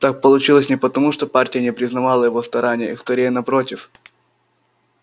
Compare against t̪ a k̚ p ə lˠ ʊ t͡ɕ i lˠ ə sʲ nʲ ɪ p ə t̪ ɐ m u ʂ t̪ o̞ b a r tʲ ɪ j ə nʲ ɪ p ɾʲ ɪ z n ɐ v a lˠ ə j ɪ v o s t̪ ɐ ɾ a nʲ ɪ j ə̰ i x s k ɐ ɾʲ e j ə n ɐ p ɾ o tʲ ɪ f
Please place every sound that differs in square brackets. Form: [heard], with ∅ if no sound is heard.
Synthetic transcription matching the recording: t̪ a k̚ p ə lˠ ʊ t͡ɕ i lˠ ə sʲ nʲ ɪ p ə t̪ ɐ m u ʂ t̪ o̞ [p] a r tʲ ɪ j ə nʲ ɪ p ɾʲ ɪ z n ɐ v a lˠ ə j ɪ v o s t̪ ɐ ɾ a nʲ ɪ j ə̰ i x s k ɐ ɾʲ e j ə n ɐ p ɾ o tʲ ɪ f